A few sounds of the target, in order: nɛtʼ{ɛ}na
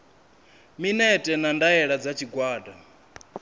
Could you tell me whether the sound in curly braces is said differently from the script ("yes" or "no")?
no